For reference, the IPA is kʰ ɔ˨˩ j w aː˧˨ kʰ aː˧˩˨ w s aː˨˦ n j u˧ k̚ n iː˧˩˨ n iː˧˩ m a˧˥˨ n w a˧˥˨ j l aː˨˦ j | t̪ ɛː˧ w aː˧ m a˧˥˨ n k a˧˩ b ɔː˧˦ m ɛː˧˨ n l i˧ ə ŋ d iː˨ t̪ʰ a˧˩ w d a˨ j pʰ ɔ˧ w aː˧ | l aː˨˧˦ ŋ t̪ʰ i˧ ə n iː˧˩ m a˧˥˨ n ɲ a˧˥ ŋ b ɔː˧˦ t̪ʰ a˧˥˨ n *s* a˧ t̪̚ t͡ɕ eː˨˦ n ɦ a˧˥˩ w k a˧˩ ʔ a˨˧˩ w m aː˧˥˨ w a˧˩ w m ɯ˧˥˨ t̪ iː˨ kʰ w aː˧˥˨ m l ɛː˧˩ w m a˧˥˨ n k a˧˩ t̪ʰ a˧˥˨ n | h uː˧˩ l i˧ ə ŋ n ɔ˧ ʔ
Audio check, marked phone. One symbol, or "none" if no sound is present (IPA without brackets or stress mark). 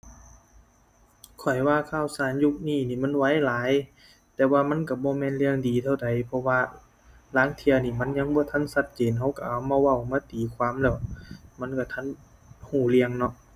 s